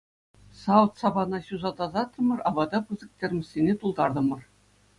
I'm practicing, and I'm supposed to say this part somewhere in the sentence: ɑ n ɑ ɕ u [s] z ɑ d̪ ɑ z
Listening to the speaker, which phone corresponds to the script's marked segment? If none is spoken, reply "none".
none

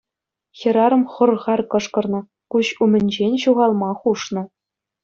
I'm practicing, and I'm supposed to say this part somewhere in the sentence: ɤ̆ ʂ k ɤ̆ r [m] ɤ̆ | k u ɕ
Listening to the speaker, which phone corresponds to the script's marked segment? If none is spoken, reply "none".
n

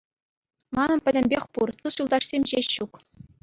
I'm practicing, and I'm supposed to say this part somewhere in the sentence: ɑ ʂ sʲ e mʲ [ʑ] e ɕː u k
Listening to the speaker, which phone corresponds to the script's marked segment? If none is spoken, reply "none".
ʑ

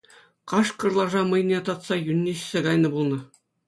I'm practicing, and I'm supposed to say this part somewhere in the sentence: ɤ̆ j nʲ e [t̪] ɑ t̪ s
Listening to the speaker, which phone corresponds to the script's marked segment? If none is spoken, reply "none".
t̪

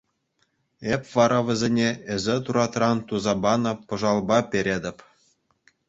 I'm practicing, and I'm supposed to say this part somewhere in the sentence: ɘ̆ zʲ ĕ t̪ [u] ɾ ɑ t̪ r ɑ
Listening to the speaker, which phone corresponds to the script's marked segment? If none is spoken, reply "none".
u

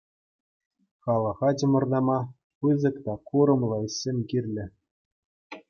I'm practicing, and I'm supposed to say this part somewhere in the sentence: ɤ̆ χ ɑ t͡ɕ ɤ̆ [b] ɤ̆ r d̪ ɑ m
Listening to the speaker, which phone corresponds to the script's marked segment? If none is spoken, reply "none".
m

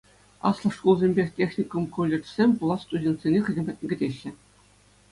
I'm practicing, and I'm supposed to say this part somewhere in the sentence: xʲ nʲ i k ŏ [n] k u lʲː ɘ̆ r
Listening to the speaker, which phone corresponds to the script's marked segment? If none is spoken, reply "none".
m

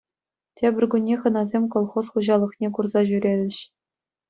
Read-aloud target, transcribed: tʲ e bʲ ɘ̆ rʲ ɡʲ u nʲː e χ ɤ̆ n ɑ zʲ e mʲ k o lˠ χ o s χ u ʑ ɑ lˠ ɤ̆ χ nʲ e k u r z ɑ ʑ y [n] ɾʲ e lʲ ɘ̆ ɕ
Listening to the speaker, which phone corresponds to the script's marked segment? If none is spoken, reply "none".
none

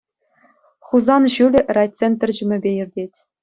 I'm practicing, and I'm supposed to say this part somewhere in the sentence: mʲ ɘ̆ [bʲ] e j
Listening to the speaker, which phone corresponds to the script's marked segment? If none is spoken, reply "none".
bʲ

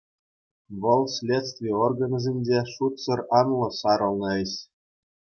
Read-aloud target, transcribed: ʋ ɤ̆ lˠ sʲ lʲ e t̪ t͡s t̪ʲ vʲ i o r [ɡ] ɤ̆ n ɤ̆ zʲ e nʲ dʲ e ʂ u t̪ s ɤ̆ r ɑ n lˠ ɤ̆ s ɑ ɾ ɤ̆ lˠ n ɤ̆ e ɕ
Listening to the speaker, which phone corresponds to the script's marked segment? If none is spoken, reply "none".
ɡ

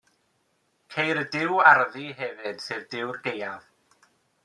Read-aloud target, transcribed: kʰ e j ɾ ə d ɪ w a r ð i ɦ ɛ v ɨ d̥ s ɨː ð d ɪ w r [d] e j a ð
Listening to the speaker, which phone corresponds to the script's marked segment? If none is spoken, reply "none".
ɡ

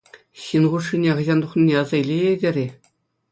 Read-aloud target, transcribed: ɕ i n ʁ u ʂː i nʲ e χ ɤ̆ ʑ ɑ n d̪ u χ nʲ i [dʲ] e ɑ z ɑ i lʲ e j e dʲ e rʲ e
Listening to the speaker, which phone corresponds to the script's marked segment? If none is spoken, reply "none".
nʲ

